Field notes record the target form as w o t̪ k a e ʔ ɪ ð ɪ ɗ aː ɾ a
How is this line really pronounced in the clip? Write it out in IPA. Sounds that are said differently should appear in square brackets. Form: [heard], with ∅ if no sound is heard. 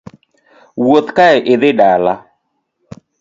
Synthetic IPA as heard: w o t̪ k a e ʔ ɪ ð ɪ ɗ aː [l] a